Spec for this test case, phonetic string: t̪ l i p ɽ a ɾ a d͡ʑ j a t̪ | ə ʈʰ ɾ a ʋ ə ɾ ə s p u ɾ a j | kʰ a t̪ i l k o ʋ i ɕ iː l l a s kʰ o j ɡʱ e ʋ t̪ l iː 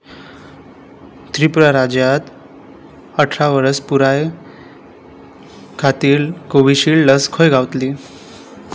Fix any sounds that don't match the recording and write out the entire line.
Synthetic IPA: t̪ ɾ i p ɾ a ɾ a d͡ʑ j a t̪ | ə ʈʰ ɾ a ʋ ə ɾ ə s p u ɾ a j | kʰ a t̪ iː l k o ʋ i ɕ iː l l ə s kʰ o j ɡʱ a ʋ t̪ l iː

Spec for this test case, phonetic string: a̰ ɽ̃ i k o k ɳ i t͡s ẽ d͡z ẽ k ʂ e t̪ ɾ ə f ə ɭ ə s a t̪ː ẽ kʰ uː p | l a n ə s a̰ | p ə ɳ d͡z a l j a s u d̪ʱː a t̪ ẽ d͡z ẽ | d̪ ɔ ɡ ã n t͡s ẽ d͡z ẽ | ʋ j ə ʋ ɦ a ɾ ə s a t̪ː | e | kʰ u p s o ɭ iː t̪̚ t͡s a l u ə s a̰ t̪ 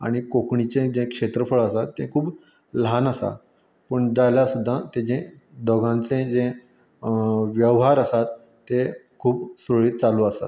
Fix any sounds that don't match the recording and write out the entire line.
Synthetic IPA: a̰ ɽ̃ i k o k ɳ i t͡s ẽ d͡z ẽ k ʂ e t̪ ɾ ə f ə ɭ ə s a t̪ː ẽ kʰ uː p | l a n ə s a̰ | p ə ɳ d͡z a l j a s u d̪ʱː a t̪ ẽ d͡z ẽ | d̪ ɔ ɡ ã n t͡s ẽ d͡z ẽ | ʋ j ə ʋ ɦ a ɾ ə s a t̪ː | e | kʰ uː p s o ɭ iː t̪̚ t͡s a l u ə s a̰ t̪

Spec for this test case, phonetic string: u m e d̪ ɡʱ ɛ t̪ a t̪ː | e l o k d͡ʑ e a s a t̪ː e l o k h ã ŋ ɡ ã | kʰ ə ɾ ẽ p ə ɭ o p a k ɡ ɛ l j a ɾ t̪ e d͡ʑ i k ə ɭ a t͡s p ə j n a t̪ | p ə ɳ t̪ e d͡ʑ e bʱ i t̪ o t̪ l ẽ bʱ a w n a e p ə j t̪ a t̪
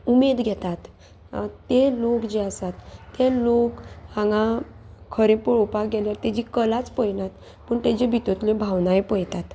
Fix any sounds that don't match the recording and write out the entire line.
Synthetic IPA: u m e d̪ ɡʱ ɛ t̪ a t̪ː | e l o k d͡ʑ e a s a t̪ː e l o k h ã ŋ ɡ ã | kʰ ə ɾ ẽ p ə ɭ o p a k ɡ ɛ l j a ɾ t̪ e d͡ʑ i k ə l a t͡s p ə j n a t̪ | p ə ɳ t̪ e d͡ʑ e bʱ i t̪ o t̪ l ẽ bʱ a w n a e p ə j t̪ a t̪

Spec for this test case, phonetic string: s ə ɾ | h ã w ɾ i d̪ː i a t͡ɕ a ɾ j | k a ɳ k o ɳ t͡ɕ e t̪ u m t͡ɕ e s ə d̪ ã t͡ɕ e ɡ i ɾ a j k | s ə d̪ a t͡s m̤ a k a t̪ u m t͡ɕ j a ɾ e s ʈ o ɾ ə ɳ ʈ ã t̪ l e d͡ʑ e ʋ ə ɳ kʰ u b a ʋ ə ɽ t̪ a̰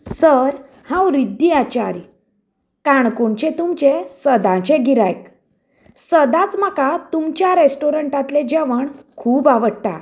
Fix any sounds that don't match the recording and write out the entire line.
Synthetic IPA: s ə ɾ | h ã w ɾ i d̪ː i a t͡ɕ a ɾ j | k a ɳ k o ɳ t͡ɕ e t̪ u m t͡ɕ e s ə d̪ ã t͡ɕ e ɡ i ɾ a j k | s ə d̪ a t͡s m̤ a k a t̪ u m t͡ɕ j a ɾ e s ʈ o ɾ ə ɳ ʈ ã t̪ l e d͡ʑ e ʋ ə ɳ kʰ uː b a ʋ ə ɽ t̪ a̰

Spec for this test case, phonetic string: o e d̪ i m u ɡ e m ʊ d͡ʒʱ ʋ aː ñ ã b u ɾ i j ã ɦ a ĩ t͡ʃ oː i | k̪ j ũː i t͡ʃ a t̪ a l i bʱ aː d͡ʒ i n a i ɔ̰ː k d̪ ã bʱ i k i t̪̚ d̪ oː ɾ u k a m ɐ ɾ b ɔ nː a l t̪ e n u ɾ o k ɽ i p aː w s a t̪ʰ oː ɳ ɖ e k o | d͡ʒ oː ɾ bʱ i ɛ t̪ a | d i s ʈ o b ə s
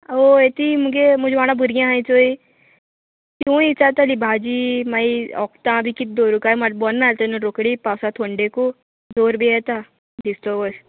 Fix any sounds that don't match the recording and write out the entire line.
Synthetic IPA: o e t̪ i m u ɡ e m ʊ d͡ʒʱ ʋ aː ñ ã b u ɾ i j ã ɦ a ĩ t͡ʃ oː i | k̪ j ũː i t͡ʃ a t̪ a l i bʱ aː d͡ʒ i m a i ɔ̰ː k t̪ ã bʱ i k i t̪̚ d̪ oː ɾ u k a m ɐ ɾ b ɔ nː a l t̪ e n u ɾ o k ɽ i p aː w s a t̪ʰ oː ɳ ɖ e k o | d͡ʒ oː ɾ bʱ i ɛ t̪ a | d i s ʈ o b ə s

